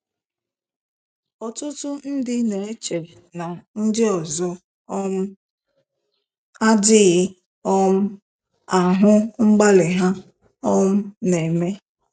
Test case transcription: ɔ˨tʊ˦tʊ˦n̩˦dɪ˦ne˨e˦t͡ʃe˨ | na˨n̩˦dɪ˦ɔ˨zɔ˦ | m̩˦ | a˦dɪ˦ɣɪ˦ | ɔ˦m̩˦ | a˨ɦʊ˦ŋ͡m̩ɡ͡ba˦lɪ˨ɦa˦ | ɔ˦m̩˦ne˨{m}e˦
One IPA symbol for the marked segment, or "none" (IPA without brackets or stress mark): m